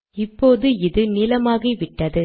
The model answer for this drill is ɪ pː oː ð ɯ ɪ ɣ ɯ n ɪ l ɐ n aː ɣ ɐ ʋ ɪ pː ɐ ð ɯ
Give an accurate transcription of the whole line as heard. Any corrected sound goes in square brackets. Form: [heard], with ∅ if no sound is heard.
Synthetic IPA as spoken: ɪ pː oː ð ɯ ɪ [ð] ɯ n ɪ l ɐ [m] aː ɣ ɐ ʋ ɪ [ʈː] ɐ ð ɯ